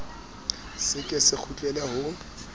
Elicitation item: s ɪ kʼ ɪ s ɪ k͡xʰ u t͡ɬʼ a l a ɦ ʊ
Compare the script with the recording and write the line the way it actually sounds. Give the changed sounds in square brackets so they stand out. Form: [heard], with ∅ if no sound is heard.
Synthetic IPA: s ɪ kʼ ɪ s ɪ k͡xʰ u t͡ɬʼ [ɛ] l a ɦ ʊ